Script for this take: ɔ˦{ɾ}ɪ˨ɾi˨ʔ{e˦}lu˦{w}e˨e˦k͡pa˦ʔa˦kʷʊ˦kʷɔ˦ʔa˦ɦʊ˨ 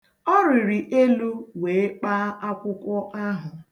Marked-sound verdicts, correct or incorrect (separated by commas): correct, correct, correct